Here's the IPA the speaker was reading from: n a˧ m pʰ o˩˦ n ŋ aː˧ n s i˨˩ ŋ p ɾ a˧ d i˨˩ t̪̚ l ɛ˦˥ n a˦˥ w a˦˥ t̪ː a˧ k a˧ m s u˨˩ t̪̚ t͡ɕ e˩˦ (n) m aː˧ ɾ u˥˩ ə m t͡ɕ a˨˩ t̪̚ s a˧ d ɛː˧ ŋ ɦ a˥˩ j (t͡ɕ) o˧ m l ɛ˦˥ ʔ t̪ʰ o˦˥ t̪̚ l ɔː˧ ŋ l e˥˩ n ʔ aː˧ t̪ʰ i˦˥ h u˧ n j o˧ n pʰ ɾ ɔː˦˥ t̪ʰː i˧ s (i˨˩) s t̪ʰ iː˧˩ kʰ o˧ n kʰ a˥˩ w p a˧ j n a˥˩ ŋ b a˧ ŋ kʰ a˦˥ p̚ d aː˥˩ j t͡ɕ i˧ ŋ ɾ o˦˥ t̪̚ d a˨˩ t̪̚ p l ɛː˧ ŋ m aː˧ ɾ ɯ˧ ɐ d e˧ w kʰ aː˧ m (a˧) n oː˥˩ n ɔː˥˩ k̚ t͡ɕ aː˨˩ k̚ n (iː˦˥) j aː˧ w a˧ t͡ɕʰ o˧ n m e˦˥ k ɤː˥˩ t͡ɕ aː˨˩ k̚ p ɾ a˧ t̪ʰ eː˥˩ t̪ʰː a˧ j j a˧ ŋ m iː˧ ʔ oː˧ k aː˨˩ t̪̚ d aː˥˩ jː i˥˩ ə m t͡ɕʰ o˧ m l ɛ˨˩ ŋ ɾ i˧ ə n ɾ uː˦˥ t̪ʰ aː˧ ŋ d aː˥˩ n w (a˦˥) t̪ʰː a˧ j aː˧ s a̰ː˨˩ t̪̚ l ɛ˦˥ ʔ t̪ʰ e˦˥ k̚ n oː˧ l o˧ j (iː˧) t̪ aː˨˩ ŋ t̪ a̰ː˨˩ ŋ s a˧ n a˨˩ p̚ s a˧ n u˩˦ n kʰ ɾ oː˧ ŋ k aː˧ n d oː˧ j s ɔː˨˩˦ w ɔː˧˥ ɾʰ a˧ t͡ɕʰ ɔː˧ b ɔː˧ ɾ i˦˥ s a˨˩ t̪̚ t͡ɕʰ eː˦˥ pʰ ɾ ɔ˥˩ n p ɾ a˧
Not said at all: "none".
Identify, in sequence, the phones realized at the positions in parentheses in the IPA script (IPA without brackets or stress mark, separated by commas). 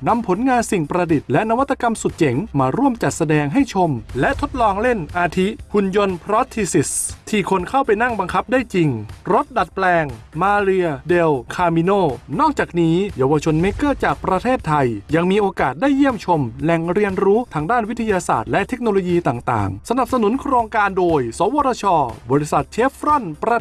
ŋ, t͡ɕʰ, i˨˩, i˧, iː˦˥, i˦˥, iː˧